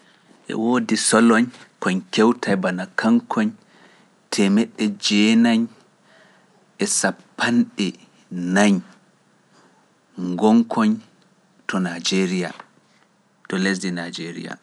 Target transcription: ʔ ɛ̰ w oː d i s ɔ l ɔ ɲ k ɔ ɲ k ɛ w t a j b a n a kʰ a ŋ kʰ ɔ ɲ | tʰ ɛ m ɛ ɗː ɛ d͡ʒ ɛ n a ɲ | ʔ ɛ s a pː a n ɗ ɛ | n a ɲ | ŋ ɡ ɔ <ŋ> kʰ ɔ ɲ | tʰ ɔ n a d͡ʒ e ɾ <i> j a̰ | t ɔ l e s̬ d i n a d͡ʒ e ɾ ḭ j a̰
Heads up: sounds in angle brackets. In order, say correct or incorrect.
correct, correct

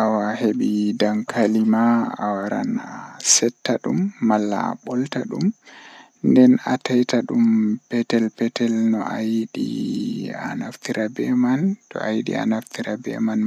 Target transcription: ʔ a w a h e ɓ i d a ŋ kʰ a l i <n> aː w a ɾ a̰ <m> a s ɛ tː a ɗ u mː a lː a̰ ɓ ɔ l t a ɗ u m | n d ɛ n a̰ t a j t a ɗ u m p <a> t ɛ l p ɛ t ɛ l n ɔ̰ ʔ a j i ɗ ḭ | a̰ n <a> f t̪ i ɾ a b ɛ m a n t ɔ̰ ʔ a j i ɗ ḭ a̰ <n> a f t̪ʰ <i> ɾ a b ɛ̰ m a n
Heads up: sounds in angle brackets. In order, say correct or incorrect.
incorrect, incorrect, incorrect, correct, correct, correct

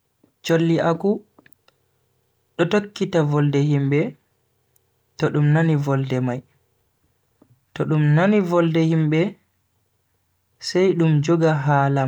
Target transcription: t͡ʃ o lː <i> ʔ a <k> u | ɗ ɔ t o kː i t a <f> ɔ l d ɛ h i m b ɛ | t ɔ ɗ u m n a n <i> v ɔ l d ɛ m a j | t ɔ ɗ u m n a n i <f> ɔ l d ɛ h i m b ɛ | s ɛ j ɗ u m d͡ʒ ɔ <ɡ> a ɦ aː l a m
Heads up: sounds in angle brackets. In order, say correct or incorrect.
correct, correct, incorrect, correct, incorrect, correct

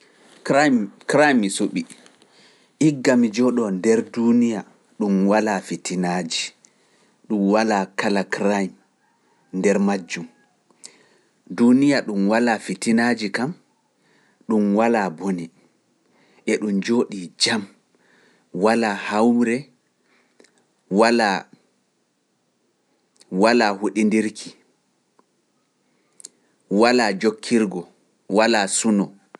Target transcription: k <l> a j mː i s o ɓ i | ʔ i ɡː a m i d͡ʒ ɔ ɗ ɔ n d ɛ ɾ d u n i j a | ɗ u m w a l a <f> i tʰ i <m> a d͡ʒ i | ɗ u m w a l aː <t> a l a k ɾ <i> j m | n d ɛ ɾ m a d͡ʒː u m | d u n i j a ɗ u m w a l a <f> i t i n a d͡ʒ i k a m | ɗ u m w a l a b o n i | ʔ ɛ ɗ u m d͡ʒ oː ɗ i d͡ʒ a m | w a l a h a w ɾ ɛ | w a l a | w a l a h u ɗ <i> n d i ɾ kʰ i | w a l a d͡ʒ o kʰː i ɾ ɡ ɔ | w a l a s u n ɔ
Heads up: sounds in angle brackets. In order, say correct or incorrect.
incorrect, correct, incorrect, incorrect, incorrect, correct, correct

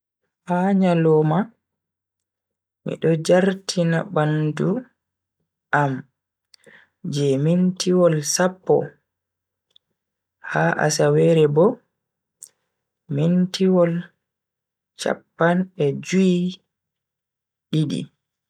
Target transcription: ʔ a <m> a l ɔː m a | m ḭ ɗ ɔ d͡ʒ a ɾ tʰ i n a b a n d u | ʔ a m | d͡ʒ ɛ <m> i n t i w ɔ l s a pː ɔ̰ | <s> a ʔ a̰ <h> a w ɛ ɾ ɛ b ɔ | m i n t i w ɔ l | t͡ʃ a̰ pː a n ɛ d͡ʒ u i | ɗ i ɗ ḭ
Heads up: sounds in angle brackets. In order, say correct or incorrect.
incorrect, correct, incorrect, incorrect

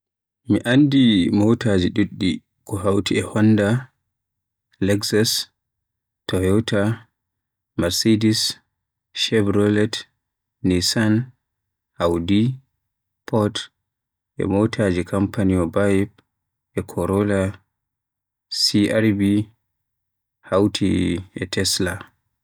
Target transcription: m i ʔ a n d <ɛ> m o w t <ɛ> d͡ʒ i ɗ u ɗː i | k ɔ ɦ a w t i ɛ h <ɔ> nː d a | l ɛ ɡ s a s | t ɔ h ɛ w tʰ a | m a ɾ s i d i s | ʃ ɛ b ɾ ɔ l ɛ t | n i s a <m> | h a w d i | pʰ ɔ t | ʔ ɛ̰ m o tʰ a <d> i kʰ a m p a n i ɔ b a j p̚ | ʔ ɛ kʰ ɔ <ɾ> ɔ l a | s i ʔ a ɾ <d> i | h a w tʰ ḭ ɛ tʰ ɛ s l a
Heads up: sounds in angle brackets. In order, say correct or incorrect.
incorrect, incorrect, correct, incorrect, incorrect, correct, incorrect

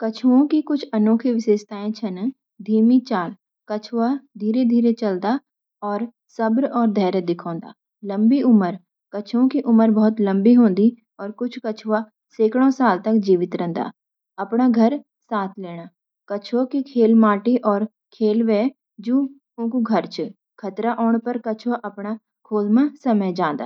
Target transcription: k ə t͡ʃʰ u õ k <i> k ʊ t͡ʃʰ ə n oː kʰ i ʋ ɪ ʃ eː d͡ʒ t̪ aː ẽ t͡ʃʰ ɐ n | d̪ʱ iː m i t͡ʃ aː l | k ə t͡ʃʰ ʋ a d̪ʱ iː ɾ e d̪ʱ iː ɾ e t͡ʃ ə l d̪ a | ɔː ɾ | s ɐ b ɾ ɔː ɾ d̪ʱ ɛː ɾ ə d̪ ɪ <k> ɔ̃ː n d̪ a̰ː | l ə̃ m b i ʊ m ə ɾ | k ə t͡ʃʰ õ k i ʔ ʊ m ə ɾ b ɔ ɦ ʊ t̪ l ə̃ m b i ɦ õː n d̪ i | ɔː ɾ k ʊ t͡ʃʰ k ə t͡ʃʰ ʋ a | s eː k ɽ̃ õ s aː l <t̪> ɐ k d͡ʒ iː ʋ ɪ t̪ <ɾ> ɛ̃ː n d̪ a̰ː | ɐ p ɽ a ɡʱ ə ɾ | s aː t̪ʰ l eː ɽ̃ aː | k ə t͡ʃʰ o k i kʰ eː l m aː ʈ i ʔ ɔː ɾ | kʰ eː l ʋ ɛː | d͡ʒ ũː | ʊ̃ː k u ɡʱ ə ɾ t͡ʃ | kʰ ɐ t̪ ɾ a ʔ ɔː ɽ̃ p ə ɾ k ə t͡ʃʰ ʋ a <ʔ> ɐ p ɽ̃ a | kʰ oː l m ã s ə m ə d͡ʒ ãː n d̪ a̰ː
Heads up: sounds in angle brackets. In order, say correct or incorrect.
correct, incorrect, correct, correct, correct

